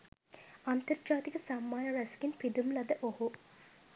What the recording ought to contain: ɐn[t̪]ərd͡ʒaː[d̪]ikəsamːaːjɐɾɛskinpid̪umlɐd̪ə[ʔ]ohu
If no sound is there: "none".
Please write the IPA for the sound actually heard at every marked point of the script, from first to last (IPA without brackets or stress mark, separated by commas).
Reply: t̪, t̪, ʔ